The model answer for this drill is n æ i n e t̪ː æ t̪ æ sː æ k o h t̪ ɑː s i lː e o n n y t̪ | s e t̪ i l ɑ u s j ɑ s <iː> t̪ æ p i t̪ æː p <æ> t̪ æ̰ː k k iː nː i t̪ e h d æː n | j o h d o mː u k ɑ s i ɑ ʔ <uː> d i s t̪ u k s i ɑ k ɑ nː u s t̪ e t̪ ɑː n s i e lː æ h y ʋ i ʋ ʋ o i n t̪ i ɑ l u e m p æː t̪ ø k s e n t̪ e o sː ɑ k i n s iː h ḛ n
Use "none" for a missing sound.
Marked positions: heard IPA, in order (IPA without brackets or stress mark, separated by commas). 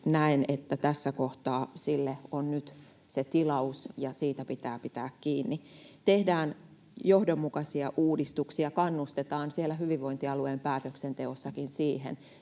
iː, i, uː